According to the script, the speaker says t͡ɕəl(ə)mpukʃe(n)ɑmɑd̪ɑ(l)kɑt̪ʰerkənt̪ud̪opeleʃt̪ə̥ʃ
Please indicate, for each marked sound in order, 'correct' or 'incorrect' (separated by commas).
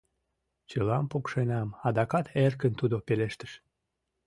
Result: incorrect, correct, incorrect